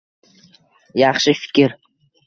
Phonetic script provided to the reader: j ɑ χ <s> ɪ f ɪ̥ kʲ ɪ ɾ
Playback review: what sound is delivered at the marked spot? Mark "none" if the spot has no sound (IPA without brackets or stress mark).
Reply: ʃ